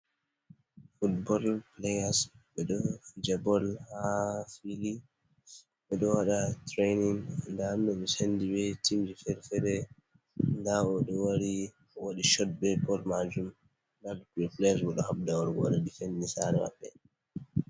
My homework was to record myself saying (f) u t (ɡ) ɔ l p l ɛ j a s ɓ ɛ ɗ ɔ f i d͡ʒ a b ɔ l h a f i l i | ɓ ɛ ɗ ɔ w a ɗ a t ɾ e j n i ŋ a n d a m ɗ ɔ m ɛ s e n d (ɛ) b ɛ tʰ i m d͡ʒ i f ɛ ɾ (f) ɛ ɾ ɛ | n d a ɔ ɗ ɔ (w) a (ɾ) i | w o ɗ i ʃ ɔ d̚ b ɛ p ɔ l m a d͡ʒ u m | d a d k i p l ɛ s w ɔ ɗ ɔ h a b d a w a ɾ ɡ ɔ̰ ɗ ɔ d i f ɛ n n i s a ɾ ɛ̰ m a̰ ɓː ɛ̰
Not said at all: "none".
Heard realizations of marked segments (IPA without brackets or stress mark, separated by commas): f, b, i, f, w, ɾ